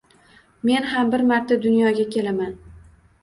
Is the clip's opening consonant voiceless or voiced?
voiced